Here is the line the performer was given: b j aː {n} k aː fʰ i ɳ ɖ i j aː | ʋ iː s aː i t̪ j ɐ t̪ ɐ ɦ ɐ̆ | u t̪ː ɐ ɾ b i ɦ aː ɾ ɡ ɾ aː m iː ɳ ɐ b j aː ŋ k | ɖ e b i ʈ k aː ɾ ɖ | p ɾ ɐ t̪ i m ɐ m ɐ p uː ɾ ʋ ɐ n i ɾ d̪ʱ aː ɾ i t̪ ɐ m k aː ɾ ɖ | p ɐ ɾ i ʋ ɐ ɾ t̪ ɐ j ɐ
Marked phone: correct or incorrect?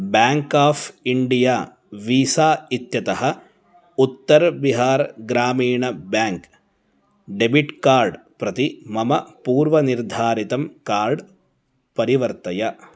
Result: incorrect